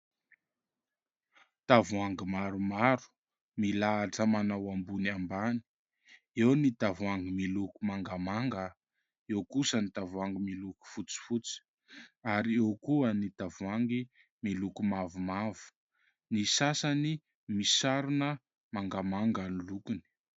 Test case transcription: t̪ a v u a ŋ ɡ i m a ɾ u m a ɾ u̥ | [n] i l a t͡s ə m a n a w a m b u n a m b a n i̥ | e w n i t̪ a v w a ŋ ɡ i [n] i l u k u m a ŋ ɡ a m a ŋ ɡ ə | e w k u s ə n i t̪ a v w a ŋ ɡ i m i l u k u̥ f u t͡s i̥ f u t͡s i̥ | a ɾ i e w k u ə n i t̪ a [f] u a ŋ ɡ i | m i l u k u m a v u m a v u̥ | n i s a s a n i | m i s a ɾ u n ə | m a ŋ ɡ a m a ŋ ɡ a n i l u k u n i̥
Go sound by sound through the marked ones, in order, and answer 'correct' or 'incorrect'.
incorrect: m, incorrect: m, incorrect: v

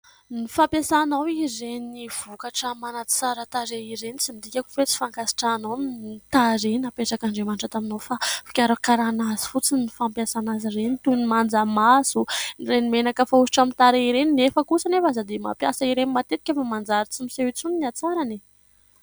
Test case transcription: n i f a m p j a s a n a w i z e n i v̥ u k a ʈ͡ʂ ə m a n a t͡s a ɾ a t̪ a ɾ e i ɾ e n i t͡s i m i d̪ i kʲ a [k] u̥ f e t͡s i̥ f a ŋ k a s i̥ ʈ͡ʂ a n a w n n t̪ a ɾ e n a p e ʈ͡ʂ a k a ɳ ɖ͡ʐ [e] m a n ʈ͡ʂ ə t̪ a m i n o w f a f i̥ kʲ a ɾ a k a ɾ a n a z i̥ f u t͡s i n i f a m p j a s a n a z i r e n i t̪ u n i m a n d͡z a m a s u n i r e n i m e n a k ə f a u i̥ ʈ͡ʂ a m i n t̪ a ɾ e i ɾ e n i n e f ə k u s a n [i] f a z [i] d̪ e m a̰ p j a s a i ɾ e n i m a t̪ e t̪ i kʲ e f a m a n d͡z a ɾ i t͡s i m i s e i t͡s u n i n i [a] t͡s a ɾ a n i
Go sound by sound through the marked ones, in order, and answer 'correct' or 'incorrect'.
correct, correct, incorrect: e, incorrect: a, correct

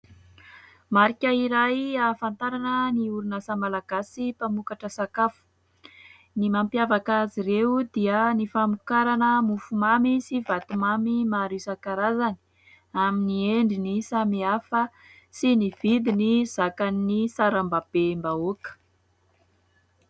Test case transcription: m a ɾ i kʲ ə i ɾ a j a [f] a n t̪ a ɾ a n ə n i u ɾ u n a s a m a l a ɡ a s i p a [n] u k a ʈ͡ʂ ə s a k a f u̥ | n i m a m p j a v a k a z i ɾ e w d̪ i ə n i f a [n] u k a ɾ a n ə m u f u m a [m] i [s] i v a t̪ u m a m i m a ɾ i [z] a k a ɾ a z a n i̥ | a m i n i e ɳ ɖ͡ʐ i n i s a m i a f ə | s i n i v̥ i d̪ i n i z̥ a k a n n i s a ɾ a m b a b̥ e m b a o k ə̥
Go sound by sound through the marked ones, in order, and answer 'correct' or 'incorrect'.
correct, incorrect: m, incorrect: m, correct, correct, incorrect: s

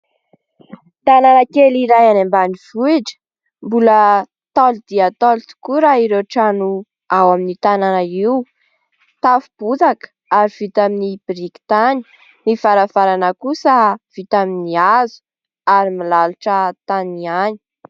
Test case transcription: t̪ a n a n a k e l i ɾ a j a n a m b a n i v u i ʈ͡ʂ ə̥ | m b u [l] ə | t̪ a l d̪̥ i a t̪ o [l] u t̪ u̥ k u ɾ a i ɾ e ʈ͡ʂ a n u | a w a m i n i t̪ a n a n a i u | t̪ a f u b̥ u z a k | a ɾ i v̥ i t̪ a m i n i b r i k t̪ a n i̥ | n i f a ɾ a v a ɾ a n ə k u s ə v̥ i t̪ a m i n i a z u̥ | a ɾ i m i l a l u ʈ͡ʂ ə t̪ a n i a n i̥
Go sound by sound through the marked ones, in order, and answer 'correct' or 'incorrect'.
correct, correct

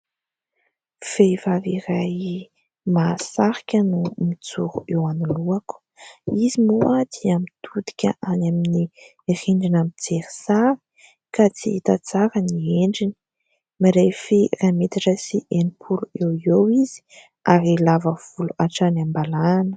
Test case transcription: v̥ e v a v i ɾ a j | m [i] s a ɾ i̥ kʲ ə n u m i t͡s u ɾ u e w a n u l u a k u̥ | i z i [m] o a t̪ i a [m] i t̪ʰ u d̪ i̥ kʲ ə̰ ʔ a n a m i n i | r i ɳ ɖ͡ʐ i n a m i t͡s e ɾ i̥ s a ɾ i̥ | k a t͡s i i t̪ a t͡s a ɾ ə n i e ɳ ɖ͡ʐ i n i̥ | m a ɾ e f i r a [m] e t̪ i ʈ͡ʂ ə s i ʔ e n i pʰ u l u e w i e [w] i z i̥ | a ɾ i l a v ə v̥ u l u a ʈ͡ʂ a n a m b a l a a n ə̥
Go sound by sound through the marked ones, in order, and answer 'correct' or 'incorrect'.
incorrect: a, correct, correct, correct, correct

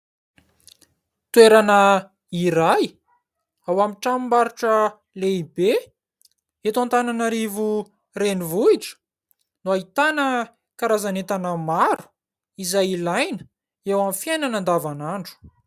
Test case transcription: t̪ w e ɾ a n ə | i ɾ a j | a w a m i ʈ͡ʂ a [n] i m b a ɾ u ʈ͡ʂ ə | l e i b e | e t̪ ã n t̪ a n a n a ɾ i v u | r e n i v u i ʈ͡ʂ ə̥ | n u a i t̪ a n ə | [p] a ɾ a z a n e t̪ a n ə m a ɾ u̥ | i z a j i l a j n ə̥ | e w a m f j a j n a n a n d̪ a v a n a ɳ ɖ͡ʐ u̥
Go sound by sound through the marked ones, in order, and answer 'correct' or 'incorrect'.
incorrect: m, incorrect: k

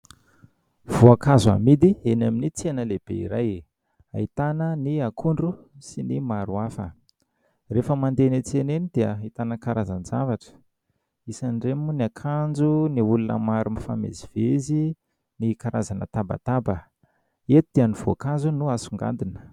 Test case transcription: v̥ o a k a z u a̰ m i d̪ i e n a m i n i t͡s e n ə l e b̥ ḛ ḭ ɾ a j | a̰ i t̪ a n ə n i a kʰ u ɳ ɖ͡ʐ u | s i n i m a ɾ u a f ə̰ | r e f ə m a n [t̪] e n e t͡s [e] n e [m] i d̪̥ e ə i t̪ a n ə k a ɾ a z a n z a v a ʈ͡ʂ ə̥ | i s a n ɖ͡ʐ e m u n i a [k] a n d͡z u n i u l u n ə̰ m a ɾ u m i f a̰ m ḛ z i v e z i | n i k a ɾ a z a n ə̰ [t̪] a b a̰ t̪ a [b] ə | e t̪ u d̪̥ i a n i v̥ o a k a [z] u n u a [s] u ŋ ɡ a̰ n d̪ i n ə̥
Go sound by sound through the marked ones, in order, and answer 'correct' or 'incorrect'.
incorrect: d̪, correct, incorrect: n, incorrect: kʰ, correct, correct, correct, correct

